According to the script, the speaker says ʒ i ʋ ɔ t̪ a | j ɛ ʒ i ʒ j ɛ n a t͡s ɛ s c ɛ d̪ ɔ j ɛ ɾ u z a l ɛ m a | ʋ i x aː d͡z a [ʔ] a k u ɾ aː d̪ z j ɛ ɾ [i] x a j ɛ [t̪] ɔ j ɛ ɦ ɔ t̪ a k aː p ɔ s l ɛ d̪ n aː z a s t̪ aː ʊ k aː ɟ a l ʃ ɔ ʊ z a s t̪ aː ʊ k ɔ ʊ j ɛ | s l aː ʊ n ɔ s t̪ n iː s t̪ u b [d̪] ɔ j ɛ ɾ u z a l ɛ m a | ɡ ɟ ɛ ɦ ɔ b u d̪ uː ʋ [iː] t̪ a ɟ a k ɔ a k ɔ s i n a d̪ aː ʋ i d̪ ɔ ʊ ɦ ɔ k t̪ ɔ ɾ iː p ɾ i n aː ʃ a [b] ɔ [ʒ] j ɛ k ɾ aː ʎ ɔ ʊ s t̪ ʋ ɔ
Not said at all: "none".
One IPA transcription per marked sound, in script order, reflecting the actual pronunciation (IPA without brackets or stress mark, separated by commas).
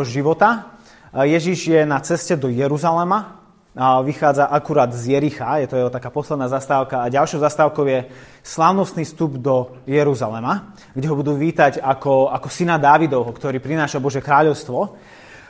ʔ, i, t̪, d̪, iː, b, ʒ